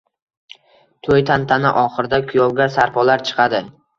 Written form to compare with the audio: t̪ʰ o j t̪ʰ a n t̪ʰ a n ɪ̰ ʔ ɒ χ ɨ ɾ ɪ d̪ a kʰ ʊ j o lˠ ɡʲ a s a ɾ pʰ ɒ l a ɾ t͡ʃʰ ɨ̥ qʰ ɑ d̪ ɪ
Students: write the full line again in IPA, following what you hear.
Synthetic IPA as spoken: t̪ʰ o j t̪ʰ a n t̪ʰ a n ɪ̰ ʔ ɒ χ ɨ ɾ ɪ d̪ a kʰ ʊ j ɒ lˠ ɡʲ a s a ɾ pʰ ɒ l a ɾ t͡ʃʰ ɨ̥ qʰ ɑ d̪ ɪ